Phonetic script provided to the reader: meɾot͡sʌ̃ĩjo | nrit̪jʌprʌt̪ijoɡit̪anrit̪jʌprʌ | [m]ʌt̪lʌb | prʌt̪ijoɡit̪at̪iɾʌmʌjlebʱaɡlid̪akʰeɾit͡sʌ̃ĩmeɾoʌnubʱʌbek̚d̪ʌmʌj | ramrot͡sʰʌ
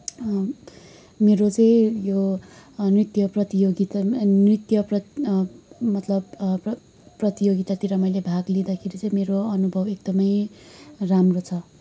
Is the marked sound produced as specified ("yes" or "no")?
yes